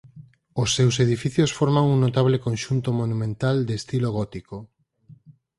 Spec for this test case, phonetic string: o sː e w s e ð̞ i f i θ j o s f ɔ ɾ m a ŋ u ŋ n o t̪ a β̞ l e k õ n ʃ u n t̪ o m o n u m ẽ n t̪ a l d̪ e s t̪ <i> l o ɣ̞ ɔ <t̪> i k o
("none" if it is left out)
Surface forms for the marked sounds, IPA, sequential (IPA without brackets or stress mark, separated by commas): i, t̪